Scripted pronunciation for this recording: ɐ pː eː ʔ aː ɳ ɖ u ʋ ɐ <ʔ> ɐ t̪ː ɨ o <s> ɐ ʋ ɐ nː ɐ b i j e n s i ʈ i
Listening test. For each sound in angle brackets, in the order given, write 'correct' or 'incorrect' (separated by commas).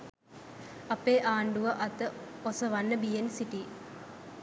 correct, correct